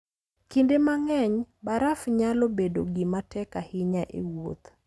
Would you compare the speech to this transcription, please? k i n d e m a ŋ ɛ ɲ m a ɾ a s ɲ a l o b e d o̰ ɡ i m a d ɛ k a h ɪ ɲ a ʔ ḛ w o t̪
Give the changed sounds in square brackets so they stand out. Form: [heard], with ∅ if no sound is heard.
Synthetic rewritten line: k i n d e m a ŋ ɛ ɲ [b] a ɾ a [f] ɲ a l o b e d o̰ ɡ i m a [t] ɛ k a h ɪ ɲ a ʔ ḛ w o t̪